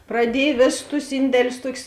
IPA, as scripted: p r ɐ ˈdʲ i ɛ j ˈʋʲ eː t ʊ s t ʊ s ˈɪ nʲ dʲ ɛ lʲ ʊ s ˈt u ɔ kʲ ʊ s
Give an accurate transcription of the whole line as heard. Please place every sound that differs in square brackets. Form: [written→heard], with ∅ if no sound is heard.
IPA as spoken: p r ɐ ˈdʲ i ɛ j ˈʋʲ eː [t→s] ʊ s t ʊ s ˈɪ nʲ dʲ ɛ lʲ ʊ s ˈt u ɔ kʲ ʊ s